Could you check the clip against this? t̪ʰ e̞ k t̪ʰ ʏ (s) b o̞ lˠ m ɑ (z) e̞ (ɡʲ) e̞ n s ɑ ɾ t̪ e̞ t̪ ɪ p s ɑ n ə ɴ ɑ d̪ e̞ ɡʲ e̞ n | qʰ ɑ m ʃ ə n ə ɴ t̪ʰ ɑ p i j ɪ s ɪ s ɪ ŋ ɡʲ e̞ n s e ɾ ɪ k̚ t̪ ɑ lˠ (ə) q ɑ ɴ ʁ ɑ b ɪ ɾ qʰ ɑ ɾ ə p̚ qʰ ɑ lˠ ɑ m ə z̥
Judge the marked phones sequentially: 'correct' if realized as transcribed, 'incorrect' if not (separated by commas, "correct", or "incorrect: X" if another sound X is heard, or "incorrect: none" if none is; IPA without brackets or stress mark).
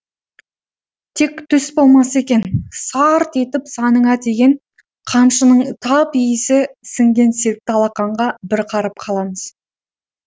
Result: correct, incorrect: s, incorrect: kʲ, incorrect: ɑ